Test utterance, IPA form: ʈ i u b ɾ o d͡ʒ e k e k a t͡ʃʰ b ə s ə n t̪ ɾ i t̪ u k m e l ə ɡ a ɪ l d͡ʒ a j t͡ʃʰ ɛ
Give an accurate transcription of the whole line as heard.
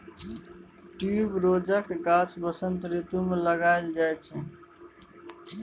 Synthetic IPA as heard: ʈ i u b ɾ o d͡ʒ a k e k a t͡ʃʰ b ə s ə n t̪ ɾ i t̪ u m e l ə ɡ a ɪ l d͡ʒ a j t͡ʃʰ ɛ